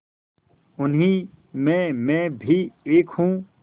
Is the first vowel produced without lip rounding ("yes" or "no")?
no